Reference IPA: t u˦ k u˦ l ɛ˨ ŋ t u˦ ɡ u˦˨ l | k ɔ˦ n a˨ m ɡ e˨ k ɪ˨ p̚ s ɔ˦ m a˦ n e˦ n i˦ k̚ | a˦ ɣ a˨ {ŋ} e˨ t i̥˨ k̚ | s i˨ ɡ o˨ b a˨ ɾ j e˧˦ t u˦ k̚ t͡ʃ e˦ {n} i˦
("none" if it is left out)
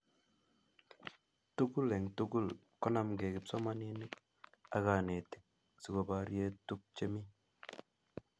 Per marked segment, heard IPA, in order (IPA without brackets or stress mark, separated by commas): n, m